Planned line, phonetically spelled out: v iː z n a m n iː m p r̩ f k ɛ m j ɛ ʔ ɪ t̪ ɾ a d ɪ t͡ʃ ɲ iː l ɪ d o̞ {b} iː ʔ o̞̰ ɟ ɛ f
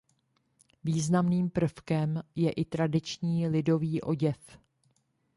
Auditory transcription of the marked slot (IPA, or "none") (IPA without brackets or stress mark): v